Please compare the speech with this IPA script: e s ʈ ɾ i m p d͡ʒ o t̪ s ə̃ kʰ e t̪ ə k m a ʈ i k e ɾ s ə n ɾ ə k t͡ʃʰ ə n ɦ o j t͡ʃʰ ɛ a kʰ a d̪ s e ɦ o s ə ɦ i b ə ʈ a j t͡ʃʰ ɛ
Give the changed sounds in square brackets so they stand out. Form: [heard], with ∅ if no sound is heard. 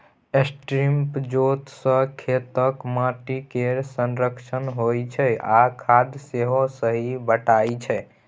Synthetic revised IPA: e s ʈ ɾ i m p d͡ʒ o t̪ s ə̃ kʰ e t̪ ə k m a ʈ i k e ɾ s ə n ɾ ə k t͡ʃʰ ə n ɦ o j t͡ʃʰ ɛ a kʰ a d̪ s e ɦ o s ə ɦ i b ə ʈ a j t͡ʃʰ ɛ